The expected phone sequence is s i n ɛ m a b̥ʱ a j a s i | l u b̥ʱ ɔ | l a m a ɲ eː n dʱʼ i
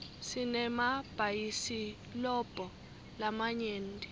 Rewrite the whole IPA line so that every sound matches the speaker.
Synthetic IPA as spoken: s i n ɛ m a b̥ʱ a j i s i | l ɔ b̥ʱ ɔ | l a m a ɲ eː n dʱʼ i